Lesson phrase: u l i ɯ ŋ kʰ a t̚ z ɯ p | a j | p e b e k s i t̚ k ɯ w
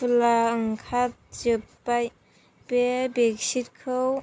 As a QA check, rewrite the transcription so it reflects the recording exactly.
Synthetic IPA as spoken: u l a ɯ ŋ kʰ a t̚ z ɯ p | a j | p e b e k s i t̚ kʰ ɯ w